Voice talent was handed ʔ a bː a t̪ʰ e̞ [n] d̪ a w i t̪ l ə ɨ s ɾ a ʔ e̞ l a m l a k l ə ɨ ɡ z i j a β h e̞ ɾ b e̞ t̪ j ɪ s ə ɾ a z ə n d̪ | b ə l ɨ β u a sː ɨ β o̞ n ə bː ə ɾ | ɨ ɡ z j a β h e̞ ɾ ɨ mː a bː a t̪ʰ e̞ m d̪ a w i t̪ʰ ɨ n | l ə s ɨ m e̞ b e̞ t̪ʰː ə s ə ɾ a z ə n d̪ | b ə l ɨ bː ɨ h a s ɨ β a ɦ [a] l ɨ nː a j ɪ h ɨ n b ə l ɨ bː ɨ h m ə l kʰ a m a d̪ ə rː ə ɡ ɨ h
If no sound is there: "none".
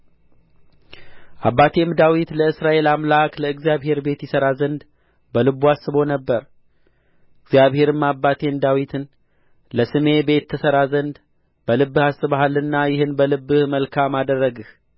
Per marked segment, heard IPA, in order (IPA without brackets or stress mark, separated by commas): m, a